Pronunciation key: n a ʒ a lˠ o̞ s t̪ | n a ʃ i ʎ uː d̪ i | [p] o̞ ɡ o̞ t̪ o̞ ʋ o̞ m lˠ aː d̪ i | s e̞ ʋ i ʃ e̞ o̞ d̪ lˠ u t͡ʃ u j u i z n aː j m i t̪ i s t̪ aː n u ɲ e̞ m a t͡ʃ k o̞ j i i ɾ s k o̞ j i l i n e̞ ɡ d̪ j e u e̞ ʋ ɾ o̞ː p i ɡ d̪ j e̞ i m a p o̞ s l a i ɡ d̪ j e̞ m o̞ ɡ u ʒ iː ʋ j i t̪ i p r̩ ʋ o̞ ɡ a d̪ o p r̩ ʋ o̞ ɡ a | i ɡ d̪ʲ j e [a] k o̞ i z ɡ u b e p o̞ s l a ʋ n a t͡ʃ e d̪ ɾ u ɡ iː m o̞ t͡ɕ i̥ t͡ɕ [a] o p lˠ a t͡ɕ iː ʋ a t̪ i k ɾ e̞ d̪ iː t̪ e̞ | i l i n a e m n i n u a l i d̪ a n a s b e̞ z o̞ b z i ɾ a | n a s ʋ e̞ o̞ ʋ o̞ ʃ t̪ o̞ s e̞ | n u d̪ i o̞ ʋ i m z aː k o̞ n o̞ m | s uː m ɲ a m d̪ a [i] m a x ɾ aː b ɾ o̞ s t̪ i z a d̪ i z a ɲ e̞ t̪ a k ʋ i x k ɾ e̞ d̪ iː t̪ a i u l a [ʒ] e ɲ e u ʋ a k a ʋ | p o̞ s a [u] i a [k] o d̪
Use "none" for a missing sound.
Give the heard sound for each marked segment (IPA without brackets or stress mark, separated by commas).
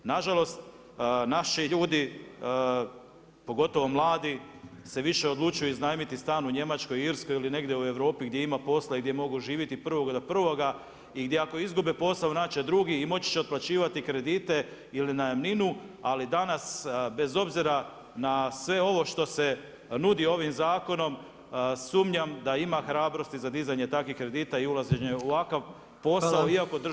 p, a, e, i, z, o, k